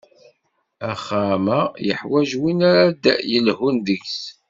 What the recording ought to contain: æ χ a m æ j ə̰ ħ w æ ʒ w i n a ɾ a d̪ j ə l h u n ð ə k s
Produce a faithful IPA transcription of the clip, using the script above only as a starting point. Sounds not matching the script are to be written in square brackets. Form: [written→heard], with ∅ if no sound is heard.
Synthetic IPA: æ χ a m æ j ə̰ ħ w æ ʒ w i n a ɾ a d̪ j ə l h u n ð ə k s